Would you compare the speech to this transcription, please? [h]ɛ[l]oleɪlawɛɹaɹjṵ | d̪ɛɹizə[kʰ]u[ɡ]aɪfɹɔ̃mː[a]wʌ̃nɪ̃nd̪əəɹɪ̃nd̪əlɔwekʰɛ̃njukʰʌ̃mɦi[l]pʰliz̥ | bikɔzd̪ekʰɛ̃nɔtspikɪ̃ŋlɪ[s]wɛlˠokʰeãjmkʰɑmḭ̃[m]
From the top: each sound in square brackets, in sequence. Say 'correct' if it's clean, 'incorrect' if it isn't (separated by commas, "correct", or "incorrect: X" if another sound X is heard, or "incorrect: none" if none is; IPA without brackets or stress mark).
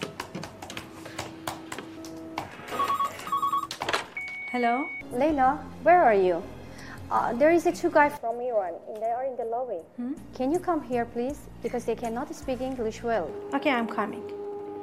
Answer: correct, correct, incorrect: tʰ, correct, incorrect: i, incorrect: ɹ, incorrect: ʃ, incorrect: ŋ